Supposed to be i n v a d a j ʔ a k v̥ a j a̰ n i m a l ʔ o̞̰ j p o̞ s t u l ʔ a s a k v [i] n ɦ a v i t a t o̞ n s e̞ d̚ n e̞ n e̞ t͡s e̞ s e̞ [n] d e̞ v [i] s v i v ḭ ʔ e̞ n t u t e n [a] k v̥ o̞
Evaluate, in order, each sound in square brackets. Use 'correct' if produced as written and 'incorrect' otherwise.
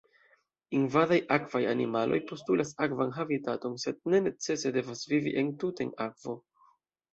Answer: incorrect: a, incorrect: none, incorrect: a, correct

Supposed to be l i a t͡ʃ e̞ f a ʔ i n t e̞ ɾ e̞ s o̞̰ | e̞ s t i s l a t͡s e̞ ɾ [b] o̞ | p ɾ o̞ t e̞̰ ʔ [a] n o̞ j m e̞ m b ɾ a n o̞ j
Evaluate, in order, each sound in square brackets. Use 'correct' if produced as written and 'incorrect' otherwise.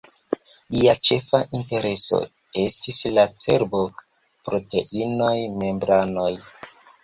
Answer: correct, incorrect: i

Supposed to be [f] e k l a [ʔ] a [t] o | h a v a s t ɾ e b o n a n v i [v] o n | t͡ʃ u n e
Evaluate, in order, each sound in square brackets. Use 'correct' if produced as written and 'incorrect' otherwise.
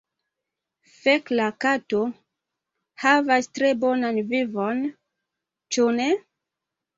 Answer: correct, incorrect: k, correct, correct

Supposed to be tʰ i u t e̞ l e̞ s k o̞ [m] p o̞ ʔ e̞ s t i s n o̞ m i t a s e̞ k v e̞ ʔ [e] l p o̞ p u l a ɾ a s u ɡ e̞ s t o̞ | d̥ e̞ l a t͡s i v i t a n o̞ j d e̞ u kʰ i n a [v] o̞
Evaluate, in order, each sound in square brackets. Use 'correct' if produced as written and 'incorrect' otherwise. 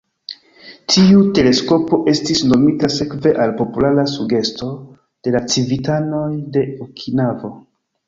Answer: incorrect: none, incorrect: a, correct

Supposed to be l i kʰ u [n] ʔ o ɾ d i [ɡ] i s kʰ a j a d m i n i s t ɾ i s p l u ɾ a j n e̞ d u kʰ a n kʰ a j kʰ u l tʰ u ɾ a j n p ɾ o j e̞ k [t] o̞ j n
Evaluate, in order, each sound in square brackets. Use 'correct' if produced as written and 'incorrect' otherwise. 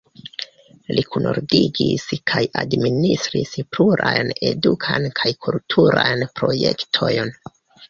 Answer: correct, correct, incorrect: tʰ

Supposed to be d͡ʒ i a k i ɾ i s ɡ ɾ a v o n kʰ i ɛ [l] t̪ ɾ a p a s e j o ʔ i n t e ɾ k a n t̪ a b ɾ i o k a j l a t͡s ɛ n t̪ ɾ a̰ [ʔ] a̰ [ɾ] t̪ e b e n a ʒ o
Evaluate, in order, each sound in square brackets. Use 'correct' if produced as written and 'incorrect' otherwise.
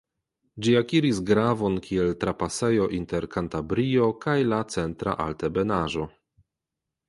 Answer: correct, correct, incorrect: l

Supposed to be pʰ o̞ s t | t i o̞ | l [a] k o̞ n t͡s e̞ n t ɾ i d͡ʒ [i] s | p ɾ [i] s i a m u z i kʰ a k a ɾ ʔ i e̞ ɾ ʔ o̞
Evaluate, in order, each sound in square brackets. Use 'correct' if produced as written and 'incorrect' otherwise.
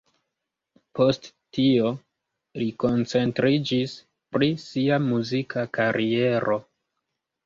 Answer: incorrect: i, correct, correct

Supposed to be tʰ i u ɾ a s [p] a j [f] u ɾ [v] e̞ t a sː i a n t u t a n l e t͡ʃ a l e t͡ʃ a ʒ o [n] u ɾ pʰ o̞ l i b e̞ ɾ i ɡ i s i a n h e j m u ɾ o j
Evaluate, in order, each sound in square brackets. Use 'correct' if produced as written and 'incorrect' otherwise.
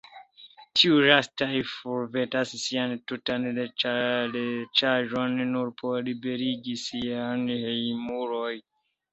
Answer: incorrect: t, correct, correct, incorrect: nː

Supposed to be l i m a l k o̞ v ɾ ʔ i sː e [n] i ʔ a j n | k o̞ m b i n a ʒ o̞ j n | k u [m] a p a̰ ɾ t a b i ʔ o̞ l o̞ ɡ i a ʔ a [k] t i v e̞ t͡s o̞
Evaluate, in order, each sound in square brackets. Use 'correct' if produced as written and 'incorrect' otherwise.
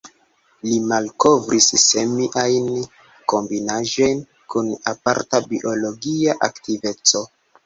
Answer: incorrect: m, incorrect: n, correct

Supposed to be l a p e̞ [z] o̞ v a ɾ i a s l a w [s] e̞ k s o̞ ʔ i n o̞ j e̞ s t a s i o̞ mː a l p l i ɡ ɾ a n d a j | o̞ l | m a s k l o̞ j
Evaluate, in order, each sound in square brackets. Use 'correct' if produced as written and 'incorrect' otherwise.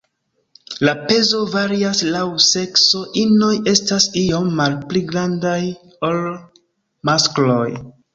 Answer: correct, correct

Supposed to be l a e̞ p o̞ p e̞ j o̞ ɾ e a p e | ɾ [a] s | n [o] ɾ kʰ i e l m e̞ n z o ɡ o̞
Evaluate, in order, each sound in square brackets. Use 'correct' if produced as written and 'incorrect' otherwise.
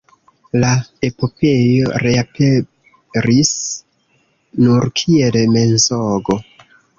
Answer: incorrect: i, incorrect: u

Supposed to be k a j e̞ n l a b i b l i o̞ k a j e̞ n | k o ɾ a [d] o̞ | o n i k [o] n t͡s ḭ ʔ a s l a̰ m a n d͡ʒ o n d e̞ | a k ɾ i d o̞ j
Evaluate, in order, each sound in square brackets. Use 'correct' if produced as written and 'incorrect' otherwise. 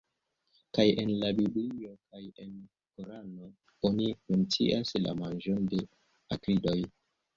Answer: incorrect: n, incorrect: u

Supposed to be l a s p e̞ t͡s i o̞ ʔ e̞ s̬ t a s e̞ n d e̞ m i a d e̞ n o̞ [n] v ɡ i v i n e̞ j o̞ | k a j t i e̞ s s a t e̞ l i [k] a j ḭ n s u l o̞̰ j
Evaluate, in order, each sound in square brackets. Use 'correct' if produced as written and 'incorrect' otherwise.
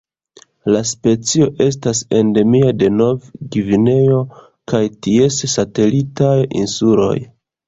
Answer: incorrect: none, incorrect: t

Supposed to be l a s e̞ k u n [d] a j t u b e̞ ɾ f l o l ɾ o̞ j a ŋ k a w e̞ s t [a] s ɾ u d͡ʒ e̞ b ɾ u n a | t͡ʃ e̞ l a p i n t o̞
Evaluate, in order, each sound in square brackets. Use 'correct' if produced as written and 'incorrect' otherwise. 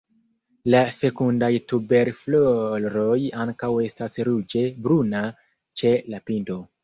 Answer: correct, correct

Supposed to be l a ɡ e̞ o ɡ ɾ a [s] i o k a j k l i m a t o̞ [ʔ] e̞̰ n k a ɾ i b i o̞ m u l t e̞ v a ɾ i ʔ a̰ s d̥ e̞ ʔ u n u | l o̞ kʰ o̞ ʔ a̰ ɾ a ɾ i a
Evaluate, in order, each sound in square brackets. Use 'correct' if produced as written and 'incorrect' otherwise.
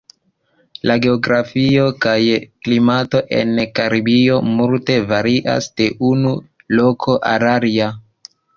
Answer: incorrect: f, correct

